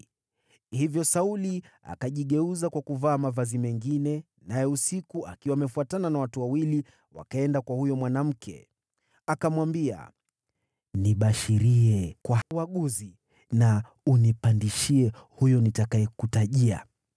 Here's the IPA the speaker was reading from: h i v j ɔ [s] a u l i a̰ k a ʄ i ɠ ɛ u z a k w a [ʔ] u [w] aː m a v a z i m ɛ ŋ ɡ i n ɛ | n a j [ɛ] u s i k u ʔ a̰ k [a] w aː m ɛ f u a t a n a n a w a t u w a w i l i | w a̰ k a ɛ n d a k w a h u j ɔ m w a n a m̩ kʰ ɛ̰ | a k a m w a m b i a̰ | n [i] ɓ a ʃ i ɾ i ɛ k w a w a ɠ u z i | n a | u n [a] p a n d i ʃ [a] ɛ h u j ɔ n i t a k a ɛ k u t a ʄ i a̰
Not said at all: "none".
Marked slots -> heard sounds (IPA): s, k, v, ɛ, i, i, i, i

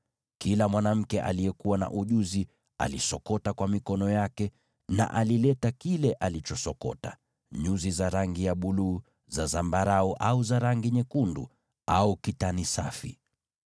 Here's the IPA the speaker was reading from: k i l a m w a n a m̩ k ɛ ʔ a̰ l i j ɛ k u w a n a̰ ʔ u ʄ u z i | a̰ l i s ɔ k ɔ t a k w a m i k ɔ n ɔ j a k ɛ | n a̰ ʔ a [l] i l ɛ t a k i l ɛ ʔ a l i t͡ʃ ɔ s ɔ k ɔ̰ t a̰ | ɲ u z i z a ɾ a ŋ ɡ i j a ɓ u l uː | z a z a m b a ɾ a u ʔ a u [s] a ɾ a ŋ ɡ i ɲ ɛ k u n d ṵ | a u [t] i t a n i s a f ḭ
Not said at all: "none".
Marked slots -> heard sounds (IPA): l, z, k

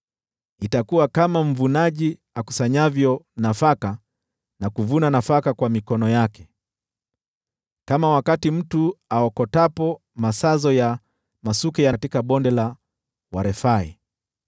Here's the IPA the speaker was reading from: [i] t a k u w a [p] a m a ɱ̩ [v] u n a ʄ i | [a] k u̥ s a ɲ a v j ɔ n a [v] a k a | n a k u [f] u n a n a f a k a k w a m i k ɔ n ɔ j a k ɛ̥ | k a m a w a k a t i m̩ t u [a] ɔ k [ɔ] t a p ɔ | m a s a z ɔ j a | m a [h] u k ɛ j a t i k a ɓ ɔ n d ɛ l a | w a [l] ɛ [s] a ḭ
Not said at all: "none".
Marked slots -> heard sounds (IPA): i, k, v, a, f, v, a, ɔ, s, ɾ, f

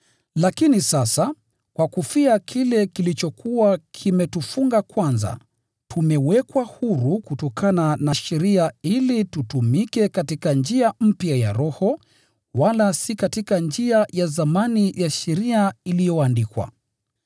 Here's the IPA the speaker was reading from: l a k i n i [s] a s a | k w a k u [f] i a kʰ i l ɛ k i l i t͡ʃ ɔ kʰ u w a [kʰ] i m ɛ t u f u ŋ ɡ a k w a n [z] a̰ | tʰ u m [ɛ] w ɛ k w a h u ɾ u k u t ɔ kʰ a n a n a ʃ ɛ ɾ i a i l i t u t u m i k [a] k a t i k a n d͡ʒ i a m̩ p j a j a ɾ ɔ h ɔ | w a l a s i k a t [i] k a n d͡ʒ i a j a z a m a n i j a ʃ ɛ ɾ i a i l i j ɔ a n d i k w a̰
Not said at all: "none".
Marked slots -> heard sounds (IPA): s, f, kʰ, z, ɛ, ɛ, i

